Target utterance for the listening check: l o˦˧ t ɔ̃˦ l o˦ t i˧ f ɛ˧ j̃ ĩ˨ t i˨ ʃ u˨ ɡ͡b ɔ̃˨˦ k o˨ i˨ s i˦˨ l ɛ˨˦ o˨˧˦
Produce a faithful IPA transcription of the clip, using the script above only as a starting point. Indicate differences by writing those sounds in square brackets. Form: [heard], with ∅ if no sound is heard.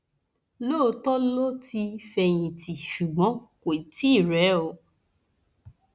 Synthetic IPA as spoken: l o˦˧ t [ɔ˦] l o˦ t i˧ f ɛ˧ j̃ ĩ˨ t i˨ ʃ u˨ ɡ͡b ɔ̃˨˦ k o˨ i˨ [t] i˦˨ [ɾ] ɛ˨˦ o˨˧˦